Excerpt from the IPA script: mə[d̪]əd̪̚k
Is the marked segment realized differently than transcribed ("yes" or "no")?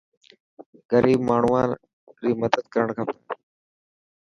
no